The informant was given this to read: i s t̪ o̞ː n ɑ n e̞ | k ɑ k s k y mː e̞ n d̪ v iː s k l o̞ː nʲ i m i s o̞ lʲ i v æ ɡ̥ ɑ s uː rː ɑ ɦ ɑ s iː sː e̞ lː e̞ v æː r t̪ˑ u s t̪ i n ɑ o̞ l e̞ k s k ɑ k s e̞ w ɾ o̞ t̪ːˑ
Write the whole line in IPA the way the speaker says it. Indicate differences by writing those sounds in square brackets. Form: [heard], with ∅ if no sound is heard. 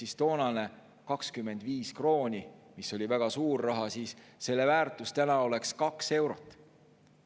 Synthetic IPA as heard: i s t̪ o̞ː n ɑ n e̞ | k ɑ k s k y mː e̞ n d̪ v iː s k [r] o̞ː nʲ i m i s o̞ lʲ i v æ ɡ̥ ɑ s uː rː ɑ ɦ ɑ s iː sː e̞ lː e̞ v æː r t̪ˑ u s t̪ [æ] n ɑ o̞ l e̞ k s k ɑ k s e̞ w ɾ o̞ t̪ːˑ

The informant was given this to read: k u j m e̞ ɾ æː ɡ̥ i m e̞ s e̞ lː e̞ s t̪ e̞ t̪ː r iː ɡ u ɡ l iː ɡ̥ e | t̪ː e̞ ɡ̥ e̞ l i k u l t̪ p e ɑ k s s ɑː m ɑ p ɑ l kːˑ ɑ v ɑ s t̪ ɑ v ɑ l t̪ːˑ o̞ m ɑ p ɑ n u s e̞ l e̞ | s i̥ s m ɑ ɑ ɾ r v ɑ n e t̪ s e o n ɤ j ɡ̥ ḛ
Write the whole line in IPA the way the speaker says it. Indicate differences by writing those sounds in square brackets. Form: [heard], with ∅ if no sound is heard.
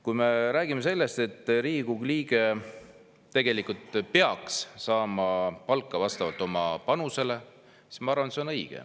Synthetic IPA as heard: k u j m e̞ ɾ æː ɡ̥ i m e̞ s e̞ lː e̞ s t̪ e̞ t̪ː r iː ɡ u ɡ l iː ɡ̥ e | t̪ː e̞ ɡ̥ e̞ l i k u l t̪ p e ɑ k s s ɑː m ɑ p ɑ l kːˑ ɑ v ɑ s t̪ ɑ v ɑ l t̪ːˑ o̞ m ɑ p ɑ n u s e̞ l e̞ | s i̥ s m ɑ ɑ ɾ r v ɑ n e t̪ s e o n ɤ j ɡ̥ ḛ

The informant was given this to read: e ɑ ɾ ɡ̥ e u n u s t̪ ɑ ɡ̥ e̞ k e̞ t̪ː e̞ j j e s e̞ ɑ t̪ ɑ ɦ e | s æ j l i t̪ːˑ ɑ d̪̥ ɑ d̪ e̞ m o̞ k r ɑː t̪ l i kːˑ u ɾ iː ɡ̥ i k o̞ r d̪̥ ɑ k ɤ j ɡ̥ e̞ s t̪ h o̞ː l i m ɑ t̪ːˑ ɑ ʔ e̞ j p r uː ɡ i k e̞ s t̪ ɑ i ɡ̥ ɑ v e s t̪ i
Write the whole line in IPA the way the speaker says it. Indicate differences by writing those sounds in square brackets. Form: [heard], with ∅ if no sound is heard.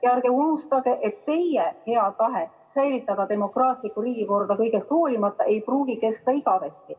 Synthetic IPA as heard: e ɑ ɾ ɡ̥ e u n u s t̪ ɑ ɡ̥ e̞ [ʔ] e̞ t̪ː e̞ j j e [h] e̞ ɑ t̪ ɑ ɦ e | s æ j l i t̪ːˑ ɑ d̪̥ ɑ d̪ e̞ m o̞ k r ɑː t̪ l i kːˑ u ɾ iː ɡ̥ i k o̞ r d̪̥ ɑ k ɤ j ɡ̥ e̞ s t̪ h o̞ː l i m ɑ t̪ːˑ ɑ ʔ e̞ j p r uː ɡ i k e̞ s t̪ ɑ i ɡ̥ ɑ v e s t̪ i

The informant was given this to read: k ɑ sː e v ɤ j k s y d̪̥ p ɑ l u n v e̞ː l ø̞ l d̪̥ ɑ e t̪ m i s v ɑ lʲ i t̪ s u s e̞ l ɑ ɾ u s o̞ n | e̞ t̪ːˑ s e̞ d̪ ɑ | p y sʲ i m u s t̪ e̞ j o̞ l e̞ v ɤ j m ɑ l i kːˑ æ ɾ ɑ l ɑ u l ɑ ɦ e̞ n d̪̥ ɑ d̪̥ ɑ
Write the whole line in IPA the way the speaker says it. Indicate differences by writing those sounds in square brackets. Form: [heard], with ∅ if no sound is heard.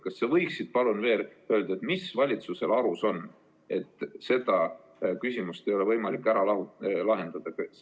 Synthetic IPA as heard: k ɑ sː e v ɤ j k s [i] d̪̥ p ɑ l u n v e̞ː l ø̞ l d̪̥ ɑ e t̪ m i s v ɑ lʲ i t̪ s u s e̞ l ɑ ɾ u s o̞ n | e̞ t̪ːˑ s e̞ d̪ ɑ | [k] y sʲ i m u s t̪ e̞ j o̞ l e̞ v ɤ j m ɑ l i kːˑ æ ɾ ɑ l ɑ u l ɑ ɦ e̞ n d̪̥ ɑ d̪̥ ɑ

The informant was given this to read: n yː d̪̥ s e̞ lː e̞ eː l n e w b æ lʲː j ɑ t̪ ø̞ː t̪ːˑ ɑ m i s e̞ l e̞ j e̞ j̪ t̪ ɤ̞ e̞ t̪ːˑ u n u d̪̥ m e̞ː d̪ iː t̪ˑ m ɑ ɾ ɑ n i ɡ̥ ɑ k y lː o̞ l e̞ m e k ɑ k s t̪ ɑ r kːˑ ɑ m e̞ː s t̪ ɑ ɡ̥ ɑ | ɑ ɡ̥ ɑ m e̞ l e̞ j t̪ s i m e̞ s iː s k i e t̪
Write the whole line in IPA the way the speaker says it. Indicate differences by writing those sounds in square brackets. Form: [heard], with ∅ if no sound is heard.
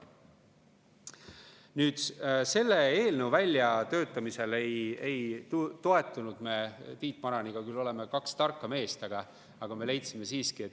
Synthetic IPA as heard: n yː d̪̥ s e̞ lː e̞ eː l n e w [v] æ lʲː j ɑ t̪ ø̞ː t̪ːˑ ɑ m i s e̞ l e̞ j e̞ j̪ t̪ [o̞] e̞ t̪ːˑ u n u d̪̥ m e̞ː [t̪] iː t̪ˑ m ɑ ɾ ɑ n i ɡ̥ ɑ k y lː o̞ l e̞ m e k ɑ k s t̪ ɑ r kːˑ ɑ m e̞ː s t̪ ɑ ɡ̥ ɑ | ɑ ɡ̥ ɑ m e̞ l e̞ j t̪ s i m e̞ s iː s k i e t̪

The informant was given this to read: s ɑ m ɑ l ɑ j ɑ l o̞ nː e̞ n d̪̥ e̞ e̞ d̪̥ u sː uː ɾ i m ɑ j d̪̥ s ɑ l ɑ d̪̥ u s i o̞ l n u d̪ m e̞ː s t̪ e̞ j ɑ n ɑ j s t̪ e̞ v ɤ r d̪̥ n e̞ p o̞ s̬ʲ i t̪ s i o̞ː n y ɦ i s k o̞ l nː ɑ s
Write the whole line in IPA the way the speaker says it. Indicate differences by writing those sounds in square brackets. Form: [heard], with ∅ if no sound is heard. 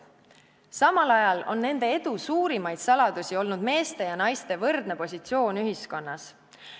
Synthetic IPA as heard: s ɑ m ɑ l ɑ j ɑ l o̞ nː e̞ n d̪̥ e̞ e̞ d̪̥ u [s] uː ɾ i m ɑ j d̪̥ s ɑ l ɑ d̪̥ u s i o̞ l n u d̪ m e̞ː s t̪ e̞ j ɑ n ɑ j s t̪ e̞ v ɤ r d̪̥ n e̞ p o̞ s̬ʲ i t̪ s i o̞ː n y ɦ i s k o̞ [∅] nː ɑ s

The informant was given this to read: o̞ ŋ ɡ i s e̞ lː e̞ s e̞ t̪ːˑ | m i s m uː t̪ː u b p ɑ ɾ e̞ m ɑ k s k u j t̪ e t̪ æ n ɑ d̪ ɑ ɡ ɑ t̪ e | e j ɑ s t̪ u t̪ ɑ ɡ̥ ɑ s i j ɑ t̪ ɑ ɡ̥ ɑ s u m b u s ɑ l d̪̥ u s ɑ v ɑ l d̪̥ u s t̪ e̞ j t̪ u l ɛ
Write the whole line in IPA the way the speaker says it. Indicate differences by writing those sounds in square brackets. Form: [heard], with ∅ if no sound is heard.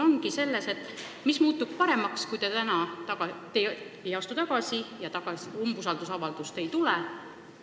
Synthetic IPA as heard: o̞ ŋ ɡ i s e̞ lː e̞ s e̞ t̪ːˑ | m i s m uː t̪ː u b p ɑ ɾ e̞ m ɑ k s k u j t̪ e t̪ æ n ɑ [t̪] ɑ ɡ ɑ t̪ e | e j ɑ s t̪ u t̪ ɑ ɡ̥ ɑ s i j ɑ t̪ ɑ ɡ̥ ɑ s u m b u s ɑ l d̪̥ u s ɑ v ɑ l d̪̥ u s t̪ e̞ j t̪ u l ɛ

